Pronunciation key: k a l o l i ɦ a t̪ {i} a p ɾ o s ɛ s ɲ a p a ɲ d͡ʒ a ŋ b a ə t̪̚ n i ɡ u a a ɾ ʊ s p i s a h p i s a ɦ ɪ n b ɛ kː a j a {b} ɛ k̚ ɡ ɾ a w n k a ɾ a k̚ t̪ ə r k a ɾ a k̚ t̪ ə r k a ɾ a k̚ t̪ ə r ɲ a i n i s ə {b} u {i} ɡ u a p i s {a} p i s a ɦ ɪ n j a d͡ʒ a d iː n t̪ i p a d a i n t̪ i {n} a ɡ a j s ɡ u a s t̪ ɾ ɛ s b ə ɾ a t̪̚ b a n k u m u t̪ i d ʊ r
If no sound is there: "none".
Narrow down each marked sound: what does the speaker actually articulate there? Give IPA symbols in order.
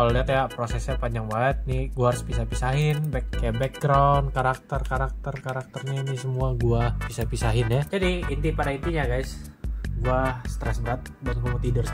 j, b, m, a, a, ɲ

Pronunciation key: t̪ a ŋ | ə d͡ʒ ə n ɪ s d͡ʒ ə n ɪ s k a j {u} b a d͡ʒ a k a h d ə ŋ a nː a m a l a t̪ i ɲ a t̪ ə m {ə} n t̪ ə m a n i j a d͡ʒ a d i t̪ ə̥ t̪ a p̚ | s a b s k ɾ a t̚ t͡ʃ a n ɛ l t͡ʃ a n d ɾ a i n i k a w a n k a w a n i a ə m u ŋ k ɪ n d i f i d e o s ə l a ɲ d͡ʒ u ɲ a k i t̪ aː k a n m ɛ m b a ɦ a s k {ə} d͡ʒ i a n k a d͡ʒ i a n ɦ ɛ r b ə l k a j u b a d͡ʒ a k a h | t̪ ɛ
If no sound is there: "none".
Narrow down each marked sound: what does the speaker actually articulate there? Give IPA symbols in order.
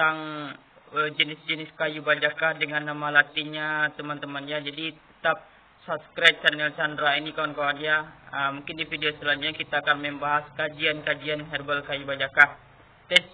u, a, a

